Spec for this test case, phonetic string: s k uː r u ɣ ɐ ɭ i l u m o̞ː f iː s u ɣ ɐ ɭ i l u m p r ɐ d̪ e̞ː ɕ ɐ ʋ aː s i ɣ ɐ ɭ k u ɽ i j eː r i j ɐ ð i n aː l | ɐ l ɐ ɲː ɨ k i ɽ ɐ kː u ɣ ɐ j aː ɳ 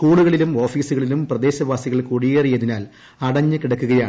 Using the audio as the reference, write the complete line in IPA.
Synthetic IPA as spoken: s k uː ɭ u ɣ ɐ ɭ i l u m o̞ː f iː s u ɣ ɐ ɭ i l u m p r ɐ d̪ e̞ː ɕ ɐ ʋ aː s i ɣ ɐ ɭ k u ɽ i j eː r i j ɐ ð i n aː l | ɐ ɽ ɐ ɲː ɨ k i ɽ ɐ kː u ɣ ɐ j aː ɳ